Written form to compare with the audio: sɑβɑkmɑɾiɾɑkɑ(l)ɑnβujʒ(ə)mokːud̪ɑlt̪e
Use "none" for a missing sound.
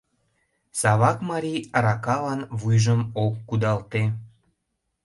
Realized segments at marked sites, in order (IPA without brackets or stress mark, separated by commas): l, ə